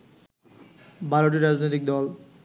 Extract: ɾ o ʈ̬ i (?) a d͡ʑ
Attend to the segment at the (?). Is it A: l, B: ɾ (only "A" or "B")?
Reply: B